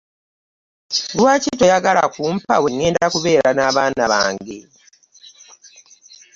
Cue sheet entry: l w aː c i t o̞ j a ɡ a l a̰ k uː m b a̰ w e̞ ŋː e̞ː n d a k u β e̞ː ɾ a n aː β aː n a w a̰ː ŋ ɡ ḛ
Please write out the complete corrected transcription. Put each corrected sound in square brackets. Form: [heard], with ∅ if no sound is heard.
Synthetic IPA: l w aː c i t o̞ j a ɡ a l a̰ k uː m [p] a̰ w e̞ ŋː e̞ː n d a k u β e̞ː ɾ a n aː β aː n a [β] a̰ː ŋ ɡ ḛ